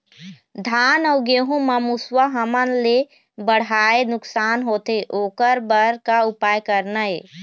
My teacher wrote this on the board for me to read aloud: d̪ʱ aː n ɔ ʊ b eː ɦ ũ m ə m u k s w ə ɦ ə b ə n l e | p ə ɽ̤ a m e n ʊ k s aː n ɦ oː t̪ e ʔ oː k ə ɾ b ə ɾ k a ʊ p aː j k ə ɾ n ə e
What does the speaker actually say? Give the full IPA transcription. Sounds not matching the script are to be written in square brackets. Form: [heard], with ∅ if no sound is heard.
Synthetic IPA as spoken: d̪ʱ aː n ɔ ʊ [ɡ] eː ɦ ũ m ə m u [∅] s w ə ɦ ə [m] ə n l e | [b] ə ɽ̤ a [∅] e n ʊ k s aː n ɦ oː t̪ e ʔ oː k ə ɾ b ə ɾ k a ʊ p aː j k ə ɾ n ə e

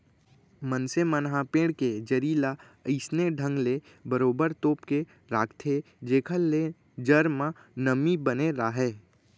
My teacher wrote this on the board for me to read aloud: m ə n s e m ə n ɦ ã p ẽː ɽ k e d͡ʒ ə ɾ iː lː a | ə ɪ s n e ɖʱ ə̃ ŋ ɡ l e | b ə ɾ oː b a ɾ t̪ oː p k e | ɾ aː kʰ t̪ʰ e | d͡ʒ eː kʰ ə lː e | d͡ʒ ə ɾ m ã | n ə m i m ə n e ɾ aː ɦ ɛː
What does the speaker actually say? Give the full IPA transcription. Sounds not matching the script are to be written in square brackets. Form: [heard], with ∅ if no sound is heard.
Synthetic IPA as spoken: m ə n s e m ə n ɦ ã p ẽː ɽ k e d͡ʒ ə ɾ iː [l] a | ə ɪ s n e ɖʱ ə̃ ŋ ɡ l e | b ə ɾ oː b [ə] ɾ t̪ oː p k e | ɾ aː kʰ t̪ʰ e | d͡ʒ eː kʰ ə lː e | d͡ʒ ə ɾ m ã | n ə m i [b] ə n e ɾ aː ɦ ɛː

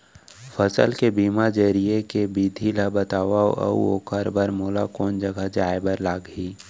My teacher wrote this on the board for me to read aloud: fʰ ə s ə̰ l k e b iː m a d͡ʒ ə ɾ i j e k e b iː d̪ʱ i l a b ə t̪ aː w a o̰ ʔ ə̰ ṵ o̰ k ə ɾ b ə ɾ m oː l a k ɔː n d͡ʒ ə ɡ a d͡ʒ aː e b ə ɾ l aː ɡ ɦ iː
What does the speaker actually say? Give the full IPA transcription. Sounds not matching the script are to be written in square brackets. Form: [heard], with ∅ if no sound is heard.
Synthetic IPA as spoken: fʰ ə s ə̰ l k e b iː m a d͡ʒ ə ɾ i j e k e b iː d̪ʱ i l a b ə t̪ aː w a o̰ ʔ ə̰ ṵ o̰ k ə ɾ b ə ɾ m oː l a k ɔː n d͡ʒ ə ɡ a d͡ʒ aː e b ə ɾ l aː ɡ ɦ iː

